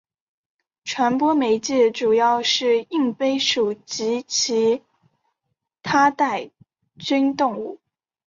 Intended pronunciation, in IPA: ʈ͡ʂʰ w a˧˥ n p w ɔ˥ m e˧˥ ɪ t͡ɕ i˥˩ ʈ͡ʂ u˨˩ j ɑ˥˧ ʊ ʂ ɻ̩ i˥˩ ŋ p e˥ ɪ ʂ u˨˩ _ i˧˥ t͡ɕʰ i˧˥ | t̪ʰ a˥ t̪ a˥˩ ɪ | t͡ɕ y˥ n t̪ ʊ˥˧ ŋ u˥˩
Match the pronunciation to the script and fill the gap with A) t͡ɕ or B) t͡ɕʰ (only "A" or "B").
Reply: A